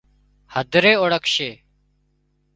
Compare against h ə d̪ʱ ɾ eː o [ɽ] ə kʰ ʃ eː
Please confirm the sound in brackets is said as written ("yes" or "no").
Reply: yes